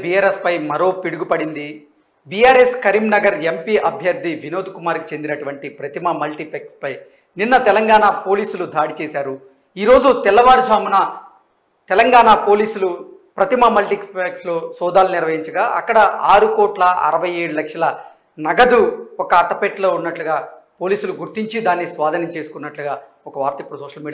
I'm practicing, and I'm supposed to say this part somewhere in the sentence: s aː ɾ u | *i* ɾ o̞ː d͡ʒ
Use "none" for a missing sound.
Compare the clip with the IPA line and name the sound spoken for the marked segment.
iː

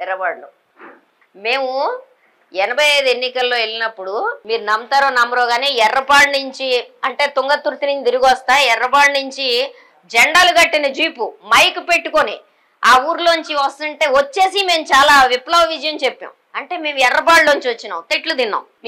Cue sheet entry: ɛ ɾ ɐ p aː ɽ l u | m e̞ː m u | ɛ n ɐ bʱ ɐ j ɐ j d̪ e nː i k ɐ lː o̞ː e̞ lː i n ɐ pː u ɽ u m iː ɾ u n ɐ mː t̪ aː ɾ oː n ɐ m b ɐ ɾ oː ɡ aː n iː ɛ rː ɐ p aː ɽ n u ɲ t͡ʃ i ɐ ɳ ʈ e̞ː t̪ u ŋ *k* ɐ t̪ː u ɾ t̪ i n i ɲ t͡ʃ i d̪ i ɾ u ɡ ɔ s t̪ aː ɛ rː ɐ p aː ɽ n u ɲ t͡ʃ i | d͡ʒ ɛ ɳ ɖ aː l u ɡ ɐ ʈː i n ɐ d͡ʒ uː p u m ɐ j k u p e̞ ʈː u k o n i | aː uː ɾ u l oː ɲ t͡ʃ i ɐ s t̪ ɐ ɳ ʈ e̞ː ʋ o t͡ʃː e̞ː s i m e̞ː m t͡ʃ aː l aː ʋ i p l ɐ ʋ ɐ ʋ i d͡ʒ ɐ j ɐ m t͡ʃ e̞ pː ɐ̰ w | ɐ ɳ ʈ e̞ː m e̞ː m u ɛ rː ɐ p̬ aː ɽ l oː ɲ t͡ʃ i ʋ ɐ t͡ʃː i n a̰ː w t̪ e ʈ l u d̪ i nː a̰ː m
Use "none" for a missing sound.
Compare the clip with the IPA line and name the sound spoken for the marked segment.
ɡ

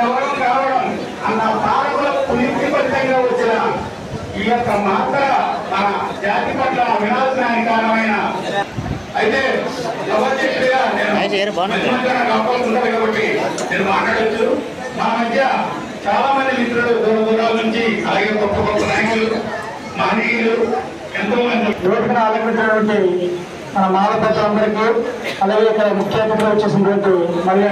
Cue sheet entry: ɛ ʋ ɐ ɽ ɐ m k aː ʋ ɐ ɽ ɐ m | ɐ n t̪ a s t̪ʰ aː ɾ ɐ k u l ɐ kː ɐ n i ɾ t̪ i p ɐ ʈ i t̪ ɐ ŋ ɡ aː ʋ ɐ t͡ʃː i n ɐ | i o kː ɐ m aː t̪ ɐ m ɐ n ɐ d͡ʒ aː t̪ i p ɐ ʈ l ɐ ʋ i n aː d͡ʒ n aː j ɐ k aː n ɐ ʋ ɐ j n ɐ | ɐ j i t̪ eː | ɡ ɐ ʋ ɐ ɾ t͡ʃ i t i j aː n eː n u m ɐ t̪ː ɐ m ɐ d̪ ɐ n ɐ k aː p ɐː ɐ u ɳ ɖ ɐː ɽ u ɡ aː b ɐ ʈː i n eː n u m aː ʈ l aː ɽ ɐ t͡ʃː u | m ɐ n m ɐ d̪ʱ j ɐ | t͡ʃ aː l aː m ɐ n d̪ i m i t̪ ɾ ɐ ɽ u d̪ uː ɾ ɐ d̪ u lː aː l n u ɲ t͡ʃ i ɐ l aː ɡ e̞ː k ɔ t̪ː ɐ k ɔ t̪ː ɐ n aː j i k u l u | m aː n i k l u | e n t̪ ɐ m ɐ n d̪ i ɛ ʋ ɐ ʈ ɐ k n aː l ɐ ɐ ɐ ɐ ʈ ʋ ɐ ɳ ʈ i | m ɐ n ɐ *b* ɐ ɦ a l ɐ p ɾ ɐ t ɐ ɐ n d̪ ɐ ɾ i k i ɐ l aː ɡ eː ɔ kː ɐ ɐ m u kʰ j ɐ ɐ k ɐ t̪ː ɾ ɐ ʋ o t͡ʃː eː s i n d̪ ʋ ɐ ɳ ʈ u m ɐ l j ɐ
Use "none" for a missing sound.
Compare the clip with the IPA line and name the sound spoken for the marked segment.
m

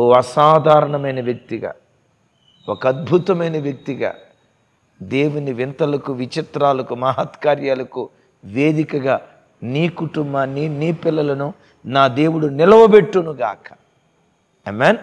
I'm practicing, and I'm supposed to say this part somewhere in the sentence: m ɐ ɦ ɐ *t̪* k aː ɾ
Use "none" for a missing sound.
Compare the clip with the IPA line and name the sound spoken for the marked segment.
t̪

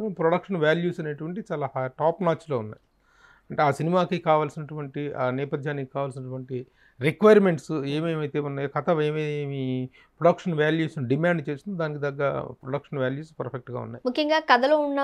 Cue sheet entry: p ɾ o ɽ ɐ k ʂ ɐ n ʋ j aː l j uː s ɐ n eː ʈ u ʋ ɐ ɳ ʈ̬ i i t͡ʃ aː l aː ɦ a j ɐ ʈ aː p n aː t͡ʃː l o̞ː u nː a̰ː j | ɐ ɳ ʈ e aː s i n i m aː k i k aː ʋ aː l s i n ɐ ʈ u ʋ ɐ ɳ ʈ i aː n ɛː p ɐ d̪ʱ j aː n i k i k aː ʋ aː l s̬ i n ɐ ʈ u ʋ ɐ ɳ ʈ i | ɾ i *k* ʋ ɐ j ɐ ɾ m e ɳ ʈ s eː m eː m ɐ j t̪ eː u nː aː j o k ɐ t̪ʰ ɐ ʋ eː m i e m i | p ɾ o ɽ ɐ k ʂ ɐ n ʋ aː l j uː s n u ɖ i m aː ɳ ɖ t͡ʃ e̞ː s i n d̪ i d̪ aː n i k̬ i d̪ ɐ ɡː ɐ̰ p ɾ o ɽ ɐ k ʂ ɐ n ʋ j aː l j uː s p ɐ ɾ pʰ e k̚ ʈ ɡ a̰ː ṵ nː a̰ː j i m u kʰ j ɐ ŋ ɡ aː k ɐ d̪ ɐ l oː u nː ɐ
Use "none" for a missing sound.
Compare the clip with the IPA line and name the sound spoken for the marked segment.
k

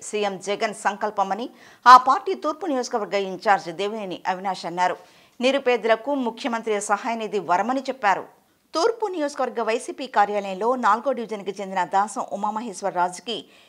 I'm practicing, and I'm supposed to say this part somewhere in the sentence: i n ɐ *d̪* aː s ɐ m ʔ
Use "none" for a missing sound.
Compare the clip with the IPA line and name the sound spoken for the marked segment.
d̪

